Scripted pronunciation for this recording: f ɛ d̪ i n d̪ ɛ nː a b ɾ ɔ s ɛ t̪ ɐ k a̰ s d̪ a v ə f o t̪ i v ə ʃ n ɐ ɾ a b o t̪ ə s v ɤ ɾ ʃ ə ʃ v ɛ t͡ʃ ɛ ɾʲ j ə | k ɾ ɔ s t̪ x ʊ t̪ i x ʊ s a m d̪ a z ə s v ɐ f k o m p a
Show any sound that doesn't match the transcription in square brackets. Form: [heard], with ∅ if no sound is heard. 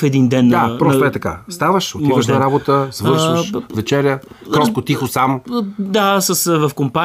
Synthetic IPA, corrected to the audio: f ɛ d̪ i n d̪ ɛ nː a [p] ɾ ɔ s ɛ t̪ ɐ k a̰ s [t̪] a v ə [ʃ] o t̪ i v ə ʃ n ɐ ɾ a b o t̪ ə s v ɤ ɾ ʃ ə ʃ v ɛ t͡ʃ ɛ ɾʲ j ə | k ɾ ɔ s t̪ [k] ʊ t̪ i x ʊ s a m d̪ a [s] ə s v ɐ f k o m p a